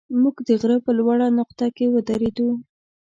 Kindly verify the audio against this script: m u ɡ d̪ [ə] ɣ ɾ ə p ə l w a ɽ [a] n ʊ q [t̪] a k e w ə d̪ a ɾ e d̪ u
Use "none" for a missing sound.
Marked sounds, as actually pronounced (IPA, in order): ə, a, t̪

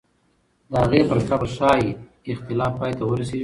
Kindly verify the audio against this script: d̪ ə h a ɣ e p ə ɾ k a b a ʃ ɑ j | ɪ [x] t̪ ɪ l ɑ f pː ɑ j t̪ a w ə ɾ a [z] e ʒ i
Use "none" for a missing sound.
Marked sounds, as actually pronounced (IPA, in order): x, s

